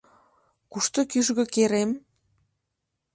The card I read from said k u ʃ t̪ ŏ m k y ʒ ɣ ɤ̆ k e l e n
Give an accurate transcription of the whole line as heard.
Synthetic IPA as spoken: k u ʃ t̪ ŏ k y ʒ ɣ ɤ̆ k e ɾ e m